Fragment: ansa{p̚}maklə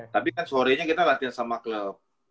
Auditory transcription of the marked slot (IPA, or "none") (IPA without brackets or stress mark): none